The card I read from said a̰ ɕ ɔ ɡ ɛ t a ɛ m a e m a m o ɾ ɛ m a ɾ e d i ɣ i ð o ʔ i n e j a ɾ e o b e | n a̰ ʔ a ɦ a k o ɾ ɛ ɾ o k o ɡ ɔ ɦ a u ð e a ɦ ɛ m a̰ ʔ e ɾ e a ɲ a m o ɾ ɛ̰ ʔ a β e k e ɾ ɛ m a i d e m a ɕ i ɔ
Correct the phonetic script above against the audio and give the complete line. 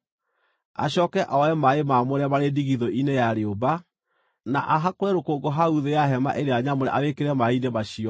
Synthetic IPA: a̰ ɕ ɔ k ɛ ʔ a ɛ m a e m a m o ɾ ɛ m a ɾ e d i ɣ i ð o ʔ i n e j a ɾ e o b a | n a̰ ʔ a ɦ a k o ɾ ɛ ɾ o k o ɡ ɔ ɦ a u ð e a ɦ ɛ m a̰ ʔ e ɾ e a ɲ a m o ɾ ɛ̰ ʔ a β e k e ɾ ɛ m a i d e m a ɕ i ɔ